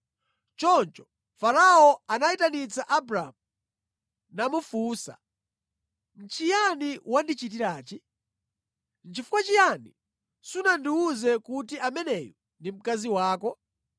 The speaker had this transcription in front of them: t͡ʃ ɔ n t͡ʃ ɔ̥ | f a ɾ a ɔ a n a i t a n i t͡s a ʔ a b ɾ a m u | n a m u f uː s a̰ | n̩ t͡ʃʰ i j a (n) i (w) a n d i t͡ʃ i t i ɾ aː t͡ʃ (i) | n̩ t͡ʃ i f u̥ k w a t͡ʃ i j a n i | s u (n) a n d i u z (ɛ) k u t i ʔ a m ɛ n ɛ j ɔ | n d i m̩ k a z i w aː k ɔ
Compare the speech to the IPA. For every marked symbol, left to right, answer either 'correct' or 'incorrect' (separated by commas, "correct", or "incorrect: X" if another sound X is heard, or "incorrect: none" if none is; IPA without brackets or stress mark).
correct, correct, correct, correct, correct